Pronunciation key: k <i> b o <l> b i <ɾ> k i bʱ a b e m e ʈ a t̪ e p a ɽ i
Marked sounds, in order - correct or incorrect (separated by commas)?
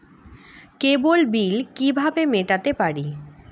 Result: incorrect, correct, incorrect